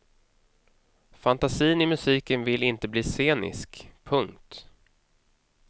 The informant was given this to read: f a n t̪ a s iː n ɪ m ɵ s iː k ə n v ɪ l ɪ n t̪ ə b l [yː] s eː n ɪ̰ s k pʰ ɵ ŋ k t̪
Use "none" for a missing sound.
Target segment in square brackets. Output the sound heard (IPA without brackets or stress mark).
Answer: iː